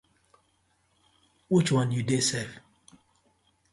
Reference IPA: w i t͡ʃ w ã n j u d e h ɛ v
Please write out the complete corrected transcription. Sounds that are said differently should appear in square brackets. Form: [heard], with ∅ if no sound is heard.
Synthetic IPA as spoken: w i t͡ʃ w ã n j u d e [s] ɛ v